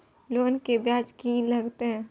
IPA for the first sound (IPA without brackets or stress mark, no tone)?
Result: l